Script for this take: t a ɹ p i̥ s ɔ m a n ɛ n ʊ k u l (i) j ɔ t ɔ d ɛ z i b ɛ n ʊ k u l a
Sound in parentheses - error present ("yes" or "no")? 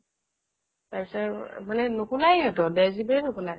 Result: yes